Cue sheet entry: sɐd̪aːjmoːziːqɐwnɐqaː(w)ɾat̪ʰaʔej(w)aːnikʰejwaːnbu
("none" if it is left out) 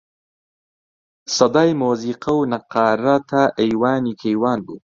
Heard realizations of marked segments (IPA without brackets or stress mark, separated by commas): none, w